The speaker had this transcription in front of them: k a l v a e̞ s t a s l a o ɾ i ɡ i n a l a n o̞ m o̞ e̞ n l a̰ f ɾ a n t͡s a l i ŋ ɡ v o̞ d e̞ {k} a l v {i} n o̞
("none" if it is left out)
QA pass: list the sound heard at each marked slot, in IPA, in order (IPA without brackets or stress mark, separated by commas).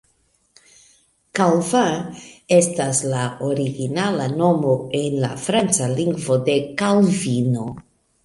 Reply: k, i